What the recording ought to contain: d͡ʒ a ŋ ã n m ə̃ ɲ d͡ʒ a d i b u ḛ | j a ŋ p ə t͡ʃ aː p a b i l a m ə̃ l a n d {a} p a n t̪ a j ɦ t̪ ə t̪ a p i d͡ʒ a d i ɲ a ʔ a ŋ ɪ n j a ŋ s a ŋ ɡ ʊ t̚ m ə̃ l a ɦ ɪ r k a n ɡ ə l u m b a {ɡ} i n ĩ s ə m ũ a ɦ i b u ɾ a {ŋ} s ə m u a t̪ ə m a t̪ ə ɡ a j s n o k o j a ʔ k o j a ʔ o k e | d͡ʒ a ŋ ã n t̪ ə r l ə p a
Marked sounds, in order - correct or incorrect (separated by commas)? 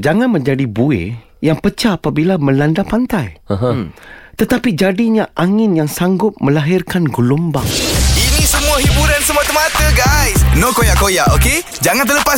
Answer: correct, incorrect, incorrect